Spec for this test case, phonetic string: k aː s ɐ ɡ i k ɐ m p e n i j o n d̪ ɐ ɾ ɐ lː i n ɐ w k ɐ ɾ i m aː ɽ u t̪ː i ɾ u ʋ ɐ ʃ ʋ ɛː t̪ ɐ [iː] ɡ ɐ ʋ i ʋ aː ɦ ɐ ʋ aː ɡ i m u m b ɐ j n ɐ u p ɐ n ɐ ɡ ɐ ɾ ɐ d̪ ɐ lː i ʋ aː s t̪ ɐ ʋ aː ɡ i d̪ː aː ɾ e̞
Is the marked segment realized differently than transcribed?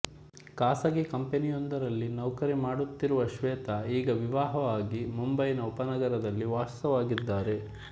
no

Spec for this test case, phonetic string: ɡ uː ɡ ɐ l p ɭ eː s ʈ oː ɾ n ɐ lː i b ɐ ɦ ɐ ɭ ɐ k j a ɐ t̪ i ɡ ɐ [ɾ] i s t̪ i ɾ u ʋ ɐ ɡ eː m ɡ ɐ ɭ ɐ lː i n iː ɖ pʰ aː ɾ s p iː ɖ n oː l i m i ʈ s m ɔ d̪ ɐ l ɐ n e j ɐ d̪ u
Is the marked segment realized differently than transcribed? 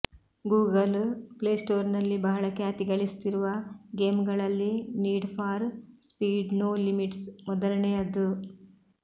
yes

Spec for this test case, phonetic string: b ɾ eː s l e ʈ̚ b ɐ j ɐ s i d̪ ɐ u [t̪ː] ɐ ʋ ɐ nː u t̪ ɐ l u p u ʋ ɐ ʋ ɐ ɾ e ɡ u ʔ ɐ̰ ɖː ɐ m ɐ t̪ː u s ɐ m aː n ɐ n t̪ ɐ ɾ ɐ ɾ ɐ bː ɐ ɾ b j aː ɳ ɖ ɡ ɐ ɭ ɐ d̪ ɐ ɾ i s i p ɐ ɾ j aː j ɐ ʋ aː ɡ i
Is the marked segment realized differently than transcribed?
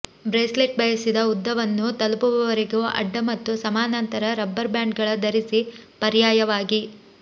yes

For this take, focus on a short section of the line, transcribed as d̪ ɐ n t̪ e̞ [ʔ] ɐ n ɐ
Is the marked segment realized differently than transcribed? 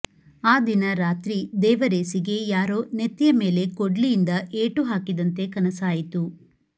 yes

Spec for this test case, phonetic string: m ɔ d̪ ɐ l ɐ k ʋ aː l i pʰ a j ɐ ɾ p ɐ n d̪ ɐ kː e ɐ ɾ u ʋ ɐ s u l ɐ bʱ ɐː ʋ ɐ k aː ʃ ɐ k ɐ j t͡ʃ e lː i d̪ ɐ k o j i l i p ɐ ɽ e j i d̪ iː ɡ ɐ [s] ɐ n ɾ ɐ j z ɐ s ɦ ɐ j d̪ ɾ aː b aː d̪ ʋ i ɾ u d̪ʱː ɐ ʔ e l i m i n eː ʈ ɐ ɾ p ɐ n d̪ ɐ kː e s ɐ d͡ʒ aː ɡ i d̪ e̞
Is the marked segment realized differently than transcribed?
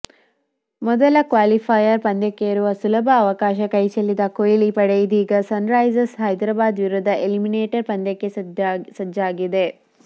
no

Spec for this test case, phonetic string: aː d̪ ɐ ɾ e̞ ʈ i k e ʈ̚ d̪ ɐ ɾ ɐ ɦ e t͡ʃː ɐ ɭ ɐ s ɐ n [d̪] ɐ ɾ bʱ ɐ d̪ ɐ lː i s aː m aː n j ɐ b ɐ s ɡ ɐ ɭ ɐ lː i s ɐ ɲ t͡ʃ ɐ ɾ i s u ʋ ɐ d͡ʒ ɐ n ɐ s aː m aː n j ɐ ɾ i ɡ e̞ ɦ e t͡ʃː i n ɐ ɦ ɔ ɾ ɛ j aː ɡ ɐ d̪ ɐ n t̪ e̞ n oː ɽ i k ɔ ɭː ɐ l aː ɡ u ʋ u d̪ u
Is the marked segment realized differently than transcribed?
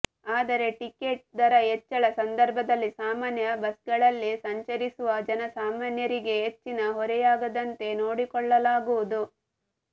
no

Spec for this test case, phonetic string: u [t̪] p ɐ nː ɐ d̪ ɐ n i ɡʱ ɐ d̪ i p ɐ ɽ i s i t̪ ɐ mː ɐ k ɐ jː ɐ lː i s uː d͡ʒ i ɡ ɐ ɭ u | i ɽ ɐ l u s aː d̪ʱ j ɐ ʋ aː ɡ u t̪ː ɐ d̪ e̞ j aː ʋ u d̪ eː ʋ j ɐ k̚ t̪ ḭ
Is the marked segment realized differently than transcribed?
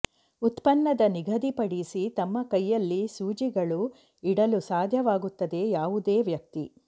no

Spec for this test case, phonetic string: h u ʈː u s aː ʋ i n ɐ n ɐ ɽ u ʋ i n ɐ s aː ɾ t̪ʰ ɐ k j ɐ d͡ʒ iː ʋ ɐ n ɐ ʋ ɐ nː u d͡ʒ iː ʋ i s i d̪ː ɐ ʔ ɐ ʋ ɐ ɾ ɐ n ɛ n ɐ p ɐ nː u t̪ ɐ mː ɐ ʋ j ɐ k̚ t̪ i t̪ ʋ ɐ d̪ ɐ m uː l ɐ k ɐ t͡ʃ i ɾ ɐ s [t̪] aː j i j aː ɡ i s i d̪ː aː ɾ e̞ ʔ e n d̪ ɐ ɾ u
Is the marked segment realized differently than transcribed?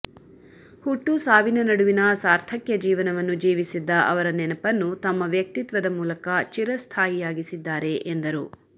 yes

